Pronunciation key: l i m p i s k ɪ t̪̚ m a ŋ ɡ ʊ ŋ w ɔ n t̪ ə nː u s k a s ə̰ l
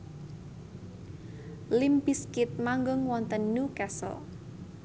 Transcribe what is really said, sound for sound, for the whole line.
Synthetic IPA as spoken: l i m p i s k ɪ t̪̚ m a ŋ ɡ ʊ ŋ w ɔ n t̪ ə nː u k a s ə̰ l